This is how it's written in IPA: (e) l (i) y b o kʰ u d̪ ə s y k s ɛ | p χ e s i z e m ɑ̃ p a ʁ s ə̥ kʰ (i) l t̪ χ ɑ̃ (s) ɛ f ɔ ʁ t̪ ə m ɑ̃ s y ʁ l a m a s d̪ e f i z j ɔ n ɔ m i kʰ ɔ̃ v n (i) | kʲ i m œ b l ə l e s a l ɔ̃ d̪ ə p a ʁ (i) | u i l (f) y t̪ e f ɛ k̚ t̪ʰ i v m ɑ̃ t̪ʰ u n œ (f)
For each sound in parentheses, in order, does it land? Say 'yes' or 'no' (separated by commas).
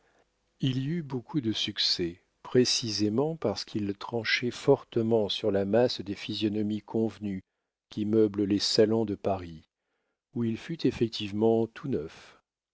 no, yes, yes, no, no, yes, yes, yes